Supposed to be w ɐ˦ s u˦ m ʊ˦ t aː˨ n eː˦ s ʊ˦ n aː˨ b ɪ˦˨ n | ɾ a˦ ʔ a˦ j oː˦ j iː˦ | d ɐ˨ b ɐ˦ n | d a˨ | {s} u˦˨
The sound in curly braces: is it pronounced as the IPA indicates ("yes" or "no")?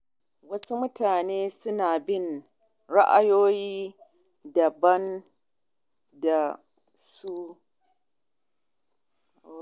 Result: yes